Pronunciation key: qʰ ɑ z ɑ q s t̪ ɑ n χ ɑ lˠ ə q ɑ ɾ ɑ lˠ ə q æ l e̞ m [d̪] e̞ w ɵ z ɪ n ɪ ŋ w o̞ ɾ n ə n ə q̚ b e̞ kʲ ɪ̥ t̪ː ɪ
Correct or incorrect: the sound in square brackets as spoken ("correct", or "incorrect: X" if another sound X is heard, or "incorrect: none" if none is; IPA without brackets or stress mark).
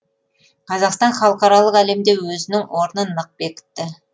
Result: correct